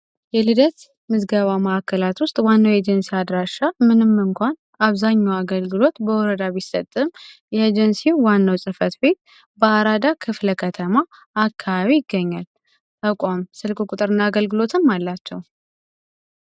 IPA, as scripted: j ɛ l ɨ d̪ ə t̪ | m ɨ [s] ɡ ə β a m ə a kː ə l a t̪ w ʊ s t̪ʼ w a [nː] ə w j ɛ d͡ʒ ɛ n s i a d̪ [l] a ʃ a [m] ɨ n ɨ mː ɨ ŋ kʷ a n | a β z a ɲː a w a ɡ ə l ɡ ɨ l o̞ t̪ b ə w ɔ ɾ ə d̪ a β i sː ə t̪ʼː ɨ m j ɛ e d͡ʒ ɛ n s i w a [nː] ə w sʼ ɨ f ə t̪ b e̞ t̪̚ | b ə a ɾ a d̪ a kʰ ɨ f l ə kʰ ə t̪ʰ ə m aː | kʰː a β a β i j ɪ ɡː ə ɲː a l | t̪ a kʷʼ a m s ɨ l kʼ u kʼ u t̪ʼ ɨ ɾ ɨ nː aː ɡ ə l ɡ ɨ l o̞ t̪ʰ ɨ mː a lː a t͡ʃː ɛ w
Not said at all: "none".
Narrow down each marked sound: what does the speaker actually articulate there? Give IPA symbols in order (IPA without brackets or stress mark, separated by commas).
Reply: z, nː, ɾ, m, nː